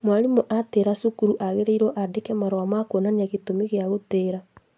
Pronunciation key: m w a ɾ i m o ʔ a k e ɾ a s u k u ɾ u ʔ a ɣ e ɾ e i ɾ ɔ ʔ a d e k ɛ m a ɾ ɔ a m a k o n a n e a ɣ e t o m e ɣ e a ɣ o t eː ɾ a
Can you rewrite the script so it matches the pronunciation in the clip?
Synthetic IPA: m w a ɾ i m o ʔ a t e ɾ a s u k u ɾ u ʔ a ɣ e ɾ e i ɾ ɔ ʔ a d e k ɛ m a ɾ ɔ a m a k o n a n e a ɣ e t o m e ɣ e a ɣ o t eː ɾ a